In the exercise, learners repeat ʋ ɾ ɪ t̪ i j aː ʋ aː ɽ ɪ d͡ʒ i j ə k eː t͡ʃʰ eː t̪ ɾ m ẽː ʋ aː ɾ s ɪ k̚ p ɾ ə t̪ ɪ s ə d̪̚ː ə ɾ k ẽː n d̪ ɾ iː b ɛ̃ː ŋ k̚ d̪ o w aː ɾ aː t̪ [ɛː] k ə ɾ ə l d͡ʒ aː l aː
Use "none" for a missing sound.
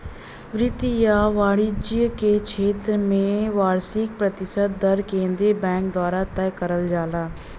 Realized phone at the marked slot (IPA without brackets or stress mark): ɛː